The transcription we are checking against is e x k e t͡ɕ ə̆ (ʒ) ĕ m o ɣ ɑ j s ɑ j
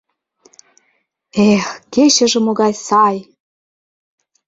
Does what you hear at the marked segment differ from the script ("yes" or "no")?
no